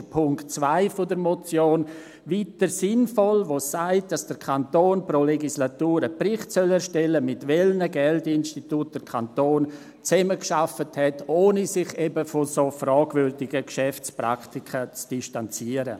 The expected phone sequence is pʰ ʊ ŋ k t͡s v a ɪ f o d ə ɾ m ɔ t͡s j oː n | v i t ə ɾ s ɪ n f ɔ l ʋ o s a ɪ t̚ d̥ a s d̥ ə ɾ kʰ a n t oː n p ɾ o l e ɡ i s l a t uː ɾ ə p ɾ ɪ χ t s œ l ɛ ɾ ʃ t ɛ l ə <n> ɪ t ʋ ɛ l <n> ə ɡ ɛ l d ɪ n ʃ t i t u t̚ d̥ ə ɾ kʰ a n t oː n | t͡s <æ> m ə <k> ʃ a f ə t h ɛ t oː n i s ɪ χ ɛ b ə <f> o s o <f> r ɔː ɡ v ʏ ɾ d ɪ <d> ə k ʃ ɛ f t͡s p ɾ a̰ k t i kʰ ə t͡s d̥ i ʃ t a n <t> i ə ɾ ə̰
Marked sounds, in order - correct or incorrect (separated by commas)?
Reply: incorrect, correct, incorrect, correct, correct, correct, incorrect, incorrect